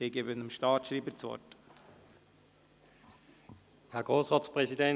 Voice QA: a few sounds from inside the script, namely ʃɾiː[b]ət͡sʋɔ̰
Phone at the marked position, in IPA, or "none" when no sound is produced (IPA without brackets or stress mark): b